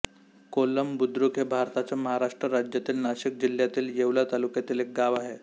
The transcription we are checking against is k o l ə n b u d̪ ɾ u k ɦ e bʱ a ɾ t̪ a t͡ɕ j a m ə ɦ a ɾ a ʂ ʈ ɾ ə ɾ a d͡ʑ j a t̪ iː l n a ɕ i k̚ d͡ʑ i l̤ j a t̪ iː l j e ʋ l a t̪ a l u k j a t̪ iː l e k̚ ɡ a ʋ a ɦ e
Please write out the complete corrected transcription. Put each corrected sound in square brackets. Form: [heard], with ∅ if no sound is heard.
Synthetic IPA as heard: k o l ə [m] b u d̪ ɾ u k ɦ e bʱ a ɾ t̪ a t͡ɕ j a m ə ɦ a ɾ a ʂ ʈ ɾ ə ɾ a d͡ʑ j a t̪ iː l n a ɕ i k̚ d͡ʑ i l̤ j a t̪ iː l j e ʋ l a t̪ a l u k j a t̪ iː l e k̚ ɡ a ʋ a ɦ e